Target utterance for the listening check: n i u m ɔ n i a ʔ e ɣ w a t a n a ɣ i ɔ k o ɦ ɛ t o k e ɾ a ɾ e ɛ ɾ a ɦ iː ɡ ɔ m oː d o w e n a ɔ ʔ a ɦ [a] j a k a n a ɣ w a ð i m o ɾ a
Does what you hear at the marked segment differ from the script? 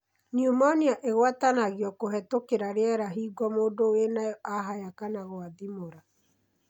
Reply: no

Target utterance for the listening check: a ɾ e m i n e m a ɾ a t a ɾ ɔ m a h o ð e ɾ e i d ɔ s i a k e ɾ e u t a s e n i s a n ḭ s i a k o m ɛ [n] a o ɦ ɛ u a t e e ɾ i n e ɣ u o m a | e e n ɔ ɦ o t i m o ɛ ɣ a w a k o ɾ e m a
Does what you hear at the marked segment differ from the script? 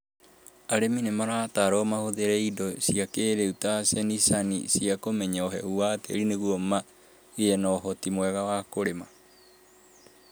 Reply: yes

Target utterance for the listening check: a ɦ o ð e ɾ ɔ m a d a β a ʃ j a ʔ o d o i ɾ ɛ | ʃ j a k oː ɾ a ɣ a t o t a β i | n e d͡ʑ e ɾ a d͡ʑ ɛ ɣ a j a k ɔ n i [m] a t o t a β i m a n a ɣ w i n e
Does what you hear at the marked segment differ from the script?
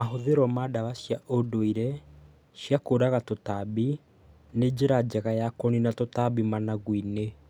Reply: yes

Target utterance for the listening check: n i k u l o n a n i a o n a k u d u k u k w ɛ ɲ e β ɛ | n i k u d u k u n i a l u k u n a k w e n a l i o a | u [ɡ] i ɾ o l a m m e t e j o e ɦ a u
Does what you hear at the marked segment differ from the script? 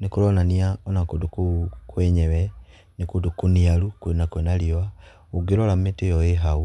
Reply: no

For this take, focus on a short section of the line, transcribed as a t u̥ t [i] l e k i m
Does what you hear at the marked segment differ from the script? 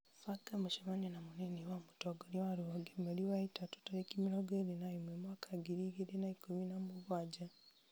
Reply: yes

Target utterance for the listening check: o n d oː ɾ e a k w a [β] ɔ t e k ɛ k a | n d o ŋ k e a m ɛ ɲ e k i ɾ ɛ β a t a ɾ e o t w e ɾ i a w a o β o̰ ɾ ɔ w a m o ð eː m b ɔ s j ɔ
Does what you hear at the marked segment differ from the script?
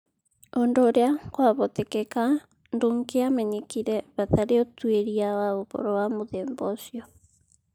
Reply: no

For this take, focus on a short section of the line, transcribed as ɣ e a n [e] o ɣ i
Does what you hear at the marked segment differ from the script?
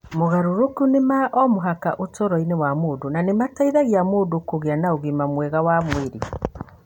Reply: yes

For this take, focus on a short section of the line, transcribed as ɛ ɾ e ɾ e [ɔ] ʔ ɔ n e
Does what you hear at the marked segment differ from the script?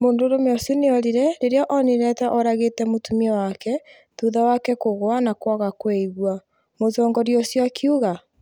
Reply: no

